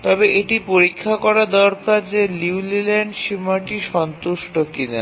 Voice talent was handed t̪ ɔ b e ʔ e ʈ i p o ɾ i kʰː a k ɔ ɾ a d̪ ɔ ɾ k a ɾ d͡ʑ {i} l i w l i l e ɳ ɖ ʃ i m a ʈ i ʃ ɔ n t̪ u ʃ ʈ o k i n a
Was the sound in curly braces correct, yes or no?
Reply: no